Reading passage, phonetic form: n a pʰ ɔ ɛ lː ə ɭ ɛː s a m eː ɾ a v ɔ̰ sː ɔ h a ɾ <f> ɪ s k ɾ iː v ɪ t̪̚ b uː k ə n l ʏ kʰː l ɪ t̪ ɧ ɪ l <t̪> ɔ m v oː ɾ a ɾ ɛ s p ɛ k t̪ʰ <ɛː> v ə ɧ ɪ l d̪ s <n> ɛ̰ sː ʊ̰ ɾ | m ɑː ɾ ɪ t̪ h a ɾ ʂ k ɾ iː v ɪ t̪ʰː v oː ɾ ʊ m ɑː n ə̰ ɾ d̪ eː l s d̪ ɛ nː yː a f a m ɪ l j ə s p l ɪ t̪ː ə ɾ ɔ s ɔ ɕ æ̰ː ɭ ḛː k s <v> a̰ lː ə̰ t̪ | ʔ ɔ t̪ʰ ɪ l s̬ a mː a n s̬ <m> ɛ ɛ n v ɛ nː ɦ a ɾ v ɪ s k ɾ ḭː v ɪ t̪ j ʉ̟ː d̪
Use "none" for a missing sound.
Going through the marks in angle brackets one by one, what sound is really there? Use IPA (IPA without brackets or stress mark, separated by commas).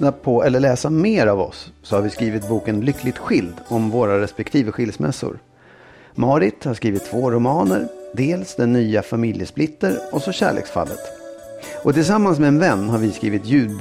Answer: v, d̪, iː, m, f, m